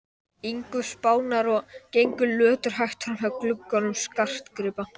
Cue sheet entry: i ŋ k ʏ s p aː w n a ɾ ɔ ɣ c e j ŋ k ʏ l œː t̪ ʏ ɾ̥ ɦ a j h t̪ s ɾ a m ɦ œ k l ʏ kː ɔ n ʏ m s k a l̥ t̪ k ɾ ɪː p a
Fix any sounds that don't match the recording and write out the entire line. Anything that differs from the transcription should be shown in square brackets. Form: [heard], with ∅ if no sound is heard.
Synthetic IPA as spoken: i ŋ k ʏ s p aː w n a ɾ ɔ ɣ c e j ŋ k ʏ l œː t̪ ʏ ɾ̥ ɦ a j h t̪ [f] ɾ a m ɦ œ k l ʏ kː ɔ n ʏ m s k a [r̥] t̪ k ɾ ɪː p a